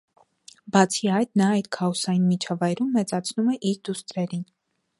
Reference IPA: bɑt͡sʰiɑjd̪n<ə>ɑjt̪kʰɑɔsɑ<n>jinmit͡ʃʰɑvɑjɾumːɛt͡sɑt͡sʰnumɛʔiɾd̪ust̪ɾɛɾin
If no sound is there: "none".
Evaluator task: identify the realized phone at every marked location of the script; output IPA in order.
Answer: ɑ, none

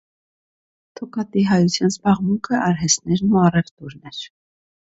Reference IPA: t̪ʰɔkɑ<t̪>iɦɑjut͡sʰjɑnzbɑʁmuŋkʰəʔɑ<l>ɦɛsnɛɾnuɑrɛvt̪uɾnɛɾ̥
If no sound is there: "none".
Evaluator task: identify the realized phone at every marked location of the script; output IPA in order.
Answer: t̪, ɾ

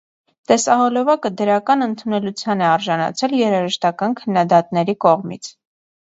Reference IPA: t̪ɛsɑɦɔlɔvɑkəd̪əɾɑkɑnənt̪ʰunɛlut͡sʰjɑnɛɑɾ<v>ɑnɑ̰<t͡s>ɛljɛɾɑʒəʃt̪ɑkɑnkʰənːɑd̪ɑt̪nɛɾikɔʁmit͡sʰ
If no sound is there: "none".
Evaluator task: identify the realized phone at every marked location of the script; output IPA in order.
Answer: ʒ, t͡sʰ

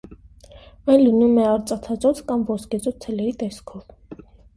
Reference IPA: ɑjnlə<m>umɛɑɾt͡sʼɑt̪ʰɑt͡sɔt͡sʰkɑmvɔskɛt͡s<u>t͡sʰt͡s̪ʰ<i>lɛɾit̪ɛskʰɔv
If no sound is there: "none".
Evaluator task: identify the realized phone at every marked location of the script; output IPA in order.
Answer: n, ɔ, ɛ

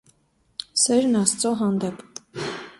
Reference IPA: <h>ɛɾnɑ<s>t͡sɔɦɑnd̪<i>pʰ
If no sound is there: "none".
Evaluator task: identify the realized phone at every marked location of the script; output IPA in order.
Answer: s, s, ɛ

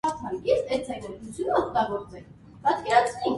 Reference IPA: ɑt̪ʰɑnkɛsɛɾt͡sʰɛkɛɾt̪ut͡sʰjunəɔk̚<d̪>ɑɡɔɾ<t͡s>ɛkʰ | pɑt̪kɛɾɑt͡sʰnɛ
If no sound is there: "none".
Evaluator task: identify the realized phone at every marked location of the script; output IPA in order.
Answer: t̪, t͡s

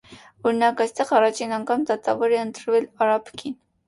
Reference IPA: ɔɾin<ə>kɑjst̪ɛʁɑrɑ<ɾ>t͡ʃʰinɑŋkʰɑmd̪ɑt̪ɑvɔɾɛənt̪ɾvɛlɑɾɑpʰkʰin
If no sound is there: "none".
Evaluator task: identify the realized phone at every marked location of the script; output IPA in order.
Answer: ɑ, none

